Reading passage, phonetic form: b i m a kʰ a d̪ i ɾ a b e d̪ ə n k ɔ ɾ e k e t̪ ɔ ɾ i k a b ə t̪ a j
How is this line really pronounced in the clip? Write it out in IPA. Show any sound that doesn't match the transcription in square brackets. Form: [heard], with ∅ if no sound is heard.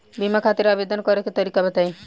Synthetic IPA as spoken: b i m a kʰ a [t̪] i ɾ a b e d̪ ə n k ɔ ɾ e k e t̪ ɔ ɾ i k a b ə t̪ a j